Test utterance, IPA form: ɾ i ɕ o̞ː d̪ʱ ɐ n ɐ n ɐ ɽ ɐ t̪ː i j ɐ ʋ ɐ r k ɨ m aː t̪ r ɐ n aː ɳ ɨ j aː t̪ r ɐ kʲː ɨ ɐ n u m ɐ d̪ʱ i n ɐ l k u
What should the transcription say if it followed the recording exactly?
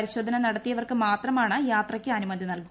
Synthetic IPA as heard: ɾ i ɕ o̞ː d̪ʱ ɐ n ɐ n ɐ ɽ ɐ t̪ː i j ɐ ʋ ɐ r k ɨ m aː t̪ r ɐ m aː ɳ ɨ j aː t̪ r ɐ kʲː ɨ ɐ n u m ɐ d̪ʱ i n ɐ l k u